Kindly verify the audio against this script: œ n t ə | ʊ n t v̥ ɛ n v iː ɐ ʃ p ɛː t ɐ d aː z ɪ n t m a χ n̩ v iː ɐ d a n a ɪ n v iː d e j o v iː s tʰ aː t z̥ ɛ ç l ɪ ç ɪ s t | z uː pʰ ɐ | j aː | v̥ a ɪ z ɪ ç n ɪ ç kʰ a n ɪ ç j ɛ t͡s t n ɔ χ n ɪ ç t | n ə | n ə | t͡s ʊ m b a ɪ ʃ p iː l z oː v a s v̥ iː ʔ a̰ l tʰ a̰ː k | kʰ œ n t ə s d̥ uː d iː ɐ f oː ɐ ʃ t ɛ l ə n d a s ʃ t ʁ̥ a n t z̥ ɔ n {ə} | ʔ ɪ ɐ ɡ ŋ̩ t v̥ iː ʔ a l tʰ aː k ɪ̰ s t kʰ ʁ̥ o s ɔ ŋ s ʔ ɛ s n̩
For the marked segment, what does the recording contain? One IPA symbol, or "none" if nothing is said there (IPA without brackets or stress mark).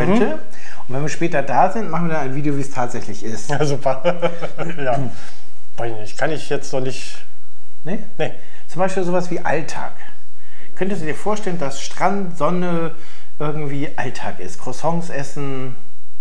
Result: ə